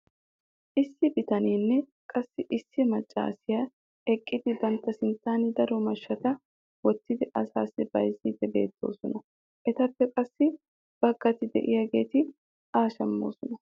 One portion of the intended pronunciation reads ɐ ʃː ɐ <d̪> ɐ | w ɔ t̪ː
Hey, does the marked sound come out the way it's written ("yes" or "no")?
no